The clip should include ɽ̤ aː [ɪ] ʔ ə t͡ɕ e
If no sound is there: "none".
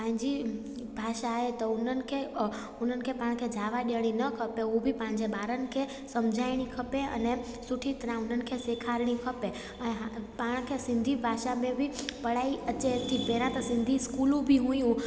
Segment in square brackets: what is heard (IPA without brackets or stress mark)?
i